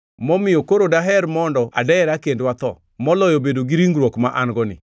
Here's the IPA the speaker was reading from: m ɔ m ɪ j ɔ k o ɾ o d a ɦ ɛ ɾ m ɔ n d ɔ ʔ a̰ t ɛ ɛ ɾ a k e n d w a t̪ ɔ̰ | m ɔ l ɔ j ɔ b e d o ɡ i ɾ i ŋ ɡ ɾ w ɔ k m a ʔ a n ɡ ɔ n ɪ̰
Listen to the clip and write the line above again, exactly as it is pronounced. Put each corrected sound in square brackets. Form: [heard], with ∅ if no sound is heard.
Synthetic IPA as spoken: m ɔ m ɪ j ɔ k o ɾ o d a ɦ ɛ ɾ m ɔ n d ɔ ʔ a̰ [d] ɛ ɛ ɾ a k e n d w a t̪ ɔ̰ | m ɔ l ɔ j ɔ b e d o ɡ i ɾ i ŋ ɡ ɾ w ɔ k m a ʔ a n ɡ ɔ n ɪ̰